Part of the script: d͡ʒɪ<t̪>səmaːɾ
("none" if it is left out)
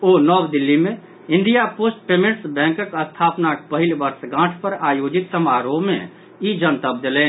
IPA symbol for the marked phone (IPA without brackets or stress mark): t̪